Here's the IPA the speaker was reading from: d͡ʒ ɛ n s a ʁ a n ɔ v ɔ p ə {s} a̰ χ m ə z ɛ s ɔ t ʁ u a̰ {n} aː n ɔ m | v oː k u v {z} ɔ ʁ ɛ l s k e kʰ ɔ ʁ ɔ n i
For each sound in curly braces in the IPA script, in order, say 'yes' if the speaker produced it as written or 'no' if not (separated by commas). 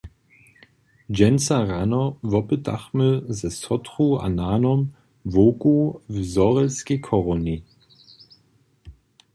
no, yes, yes